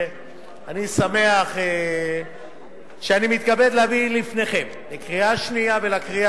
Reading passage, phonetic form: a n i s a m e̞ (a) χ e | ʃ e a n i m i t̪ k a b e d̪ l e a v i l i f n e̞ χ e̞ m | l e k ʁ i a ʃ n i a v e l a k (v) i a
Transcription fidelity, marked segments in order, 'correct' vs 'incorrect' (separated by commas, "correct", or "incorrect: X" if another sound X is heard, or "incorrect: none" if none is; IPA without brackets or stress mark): correct, incorrect: ʁ